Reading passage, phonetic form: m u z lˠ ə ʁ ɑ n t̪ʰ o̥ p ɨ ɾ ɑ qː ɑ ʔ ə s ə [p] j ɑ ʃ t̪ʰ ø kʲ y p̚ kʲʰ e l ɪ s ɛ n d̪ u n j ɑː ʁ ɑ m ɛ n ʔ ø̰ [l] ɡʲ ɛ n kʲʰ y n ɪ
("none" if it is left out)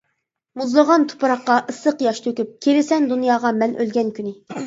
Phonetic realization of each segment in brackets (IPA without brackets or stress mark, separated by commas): q, l